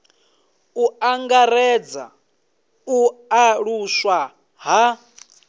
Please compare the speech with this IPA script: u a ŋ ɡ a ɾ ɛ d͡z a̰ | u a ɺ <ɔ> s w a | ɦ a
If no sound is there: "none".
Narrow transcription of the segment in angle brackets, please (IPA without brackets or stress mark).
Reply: u